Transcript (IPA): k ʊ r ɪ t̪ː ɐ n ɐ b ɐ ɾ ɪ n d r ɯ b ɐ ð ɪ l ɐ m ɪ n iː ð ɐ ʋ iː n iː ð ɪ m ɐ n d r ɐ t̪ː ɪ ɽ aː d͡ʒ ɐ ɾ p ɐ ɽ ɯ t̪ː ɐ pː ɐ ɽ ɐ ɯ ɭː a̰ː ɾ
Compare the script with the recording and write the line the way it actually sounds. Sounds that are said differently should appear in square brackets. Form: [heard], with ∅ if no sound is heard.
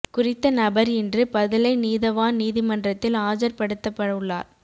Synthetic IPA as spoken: k ʊ r ɪ t̪ː ɐ n ɐ b ɐ ɾ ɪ n d r ɯ [p] ɐ ð ɪ l ɐ [∅] ɪ n iː ð ɐ ʋ [aː] n iː ð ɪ m ɐ n d r ɐ t̪ː ɪ [l] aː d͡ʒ ɐ ɾ p ɐ ɽ ɯ t̪ː ɐ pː ɐ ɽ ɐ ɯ ɭː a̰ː ɾ